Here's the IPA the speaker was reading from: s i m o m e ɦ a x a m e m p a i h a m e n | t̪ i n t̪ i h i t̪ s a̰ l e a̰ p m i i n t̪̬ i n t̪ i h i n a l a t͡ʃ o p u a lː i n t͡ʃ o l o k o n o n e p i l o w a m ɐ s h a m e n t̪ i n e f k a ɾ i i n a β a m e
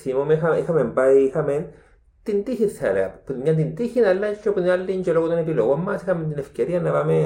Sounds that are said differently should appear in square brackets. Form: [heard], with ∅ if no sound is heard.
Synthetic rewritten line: s i m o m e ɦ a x a m e m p a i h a m e n | t̪ i n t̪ i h i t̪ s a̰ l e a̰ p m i [a] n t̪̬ i n t̪ i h i n a l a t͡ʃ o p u a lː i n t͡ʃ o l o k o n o n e p i l o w a m [a] s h a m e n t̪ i n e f k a ɾ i [a] n a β a m e